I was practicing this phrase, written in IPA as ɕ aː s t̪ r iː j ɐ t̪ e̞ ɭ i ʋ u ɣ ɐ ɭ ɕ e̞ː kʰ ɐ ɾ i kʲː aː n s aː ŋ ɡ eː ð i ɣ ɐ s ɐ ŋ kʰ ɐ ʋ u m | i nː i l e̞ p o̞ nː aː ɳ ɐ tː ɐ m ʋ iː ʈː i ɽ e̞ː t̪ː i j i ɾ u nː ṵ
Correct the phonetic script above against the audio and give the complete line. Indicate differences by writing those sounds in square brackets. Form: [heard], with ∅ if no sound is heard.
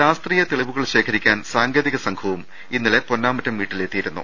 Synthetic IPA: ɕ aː s t̪ r iː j ɐ t̪ e̞ ɭ i ʋ u ɣ ɐ ɭ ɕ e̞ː kʰ ɐ ɾ i kʲː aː n s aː ŋ ɡ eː ð i ɣ ɐ s ɐ ŋ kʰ ɐ ʋ u m | i nː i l e̞ p o̞ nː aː [m] ɐ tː ɐ m ʋ iː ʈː i [l] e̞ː t̪ː i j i ɾ u nː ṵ